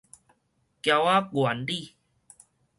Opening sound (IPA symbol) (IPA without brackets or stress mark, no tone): k